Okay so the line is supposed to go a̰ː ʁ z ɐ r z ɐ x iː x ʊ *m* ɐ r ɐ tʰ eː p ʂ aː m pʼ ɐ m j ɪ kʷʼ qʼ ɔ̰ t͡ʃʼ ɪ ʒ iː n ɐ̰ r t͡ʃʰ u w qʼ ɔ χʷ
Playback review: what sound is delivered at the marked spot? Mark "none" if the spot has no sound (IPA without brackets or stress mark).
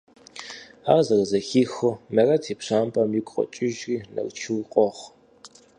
m